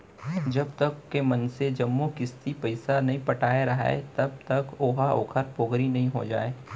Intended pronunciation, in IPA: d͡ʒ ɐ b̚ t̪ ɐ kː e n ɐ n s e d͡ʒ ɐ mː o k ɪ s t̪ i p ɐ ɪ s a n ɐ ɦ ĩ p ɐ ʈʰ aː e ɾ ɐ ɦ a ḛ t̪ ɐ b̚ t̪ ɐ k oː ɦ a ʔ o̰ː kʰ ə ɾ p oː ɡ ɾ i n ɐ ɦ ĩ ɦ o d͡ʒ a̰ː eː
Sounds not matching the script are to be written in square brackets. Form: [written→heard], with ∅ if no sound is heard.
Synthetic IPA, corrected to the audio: d͡ʒ ɐ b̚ t̪ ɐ kː e [n→m] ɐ n s e d͡ʒ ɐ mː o k ɪ s t̪ i p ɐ ɪ s a n ɐ ɦ ĩ p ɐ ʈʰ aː e ɾ ɐ ɦ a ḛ t̪ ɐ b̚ t̪ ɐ k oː ɦ a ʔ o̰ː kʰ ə ɾ p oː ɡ ɾ i n ɐ ɦ ĩ ɦ o d͡ʒ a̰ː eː